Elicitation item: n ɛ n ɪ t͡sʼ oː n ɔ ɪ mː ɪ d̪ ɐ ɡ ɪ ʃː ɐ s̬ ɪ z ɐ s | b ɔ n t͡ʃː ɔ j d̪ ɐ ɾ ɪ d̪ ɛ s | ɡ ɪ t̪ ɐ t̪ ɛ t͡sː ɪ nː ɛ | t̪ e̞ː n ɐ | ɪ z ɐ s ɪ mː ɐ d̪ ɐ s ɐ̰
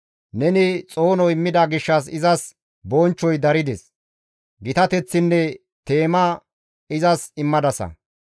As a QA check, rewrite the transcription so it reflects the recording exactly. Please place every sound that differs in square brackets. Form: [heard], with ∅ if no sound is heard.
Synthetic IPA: n ɛ n ɪ t͡sʼ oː n ɔ ɪ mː ɪ d̪ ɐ ɡ ɪ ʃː ɐ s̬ ɪ z ɐ s | b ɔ n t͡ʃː ɔ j d̪ ɐ ɾ ɪ d̪ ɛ s | ɡ ɪ t̪ ɐ t̪ ɛ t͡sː ɪ nː ɛ | t̪ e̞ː [m] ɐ | ɪ z ɐ s ɪ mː ɐ d̪ ɐ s ɐ̰